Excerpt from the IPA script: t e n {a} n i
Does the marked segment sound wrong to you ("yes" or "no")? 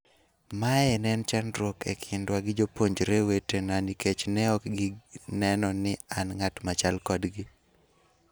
no